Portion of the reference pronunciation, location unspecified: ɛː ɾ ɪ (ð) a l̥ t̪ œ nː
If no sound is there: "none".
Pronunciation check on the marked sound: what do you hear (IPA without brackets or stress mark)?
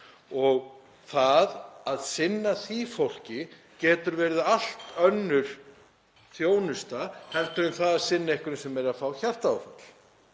ð